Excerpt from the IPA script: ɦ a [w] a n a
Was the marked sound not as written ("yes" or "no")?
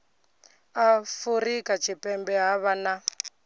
yes